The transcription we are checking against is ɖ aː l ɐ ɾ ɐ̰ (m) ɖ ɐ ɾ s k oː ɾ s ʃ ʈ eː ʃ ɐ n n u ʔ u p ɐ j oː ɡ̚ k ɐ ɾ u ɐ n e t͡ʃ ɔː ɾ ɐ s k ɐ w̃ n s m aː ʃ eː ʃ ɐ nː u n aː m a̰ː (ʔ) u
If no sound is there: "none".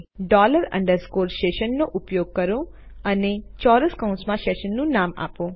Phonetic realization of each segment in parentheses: ɳ, p

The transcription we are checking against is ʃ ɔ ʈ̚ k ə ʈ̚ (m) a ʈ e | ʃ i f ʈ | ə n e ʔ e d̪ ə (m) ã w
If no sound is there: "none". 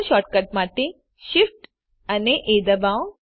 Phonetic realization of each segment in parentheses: m, b

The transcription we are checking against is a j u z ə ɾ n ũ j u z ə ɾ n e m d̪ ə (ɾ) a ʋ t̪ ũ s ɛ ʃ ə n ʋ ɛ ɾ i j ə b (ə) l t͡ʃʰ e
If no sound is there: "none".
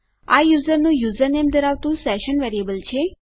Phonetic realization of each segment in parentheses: ɾ, ə

